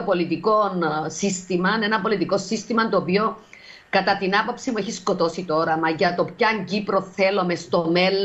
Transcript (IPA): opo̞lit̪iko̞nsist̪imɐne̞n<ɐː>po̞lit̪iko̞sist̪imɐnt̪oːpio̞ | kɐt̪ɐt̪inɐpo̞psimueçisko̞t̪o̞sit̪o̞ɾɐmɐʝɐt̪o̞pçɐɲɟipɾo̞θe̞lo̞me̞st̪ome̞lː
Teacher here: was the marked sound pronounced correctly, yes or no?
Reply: no